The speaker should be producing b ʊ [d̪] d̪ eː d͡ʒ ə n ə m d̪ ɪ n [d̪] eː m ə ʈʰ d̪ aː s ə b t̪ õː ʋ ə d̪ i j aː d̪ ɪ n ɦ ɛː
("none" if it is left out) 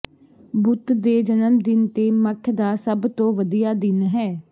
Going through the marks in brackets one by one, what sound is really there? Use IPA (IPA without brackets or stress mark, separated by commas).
t̪, t̪